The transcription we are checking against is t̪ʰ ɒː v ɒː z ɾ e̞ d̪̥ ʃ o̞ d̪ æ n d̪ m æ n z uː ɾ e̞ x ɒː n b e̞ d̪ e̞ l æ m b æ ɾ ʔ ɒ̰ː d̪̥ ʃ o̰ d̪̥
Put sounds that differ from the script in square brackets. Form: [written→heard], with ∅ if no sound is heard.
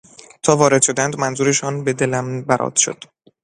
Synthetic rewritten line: t̪ʰ ɒː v ɒː [z→∅] ɾ e̞ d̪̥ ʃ o̞ d̪ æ n d̪ m æ n z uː ɾ e̞ [x→ʃ] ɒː n b e̞ d̪ e̞ l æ m b æ ɾ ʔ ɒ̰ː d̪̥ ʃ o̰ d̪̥